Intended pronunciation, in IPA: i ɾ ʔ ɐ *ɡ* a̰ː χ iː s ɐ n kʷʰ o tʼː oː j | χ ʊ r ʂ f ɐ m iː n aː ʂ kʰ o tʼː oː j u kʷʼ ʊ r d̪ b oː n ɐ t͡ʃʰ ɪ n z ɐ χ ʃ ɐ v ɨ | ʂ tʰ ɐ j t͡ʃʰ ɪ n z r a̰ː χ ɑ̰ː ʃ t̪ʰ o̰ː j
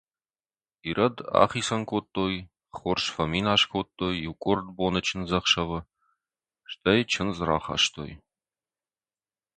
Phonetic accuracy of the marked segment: incorrect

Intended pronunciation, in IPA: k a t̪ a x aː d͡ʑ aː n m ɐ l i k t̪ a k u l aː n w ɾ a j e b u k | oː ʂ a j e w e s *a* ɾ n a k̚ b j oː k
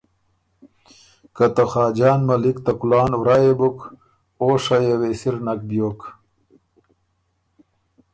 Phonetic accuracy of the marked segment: incorrect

